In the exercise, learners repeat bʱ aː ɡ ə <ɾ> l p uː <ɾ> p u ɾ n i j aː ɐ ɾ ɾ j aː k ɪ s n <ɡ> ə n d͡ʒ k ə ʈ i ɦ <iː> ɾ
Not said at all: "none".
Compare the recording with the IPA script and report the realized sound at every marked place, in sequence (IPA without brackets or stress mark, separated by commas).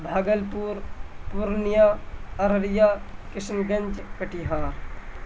none, ɾ, ɡ, aː